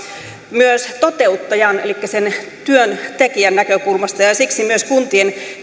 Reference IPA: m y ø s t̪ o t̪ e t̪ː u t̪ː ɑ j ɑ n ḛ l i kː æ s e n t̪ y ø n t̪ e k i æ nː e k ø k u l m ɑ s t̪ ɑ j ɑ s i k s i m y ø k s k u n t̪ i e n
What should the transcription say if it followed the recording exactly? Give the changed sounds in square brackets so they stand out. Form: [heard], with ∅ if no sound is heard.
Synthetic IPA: m y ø s t̪ o t̪ e [∅] u t̪ː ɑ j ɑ n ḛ l i kː æ s e n t̪ y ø n t̪ e k i æ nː [æ] k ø k u l m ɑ s t̪ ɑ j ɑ s i k s i m y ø [∅] s k u n t̪ i e n